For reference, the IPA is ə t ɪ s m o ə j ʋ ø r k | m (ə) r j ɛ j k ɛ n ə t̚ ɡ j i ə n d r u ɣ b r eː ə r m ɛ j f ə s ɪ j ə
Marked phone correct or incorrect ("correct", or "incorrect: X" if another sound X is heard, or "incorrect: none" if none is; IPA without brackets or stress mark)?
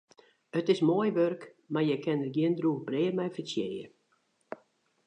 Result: incorrect: a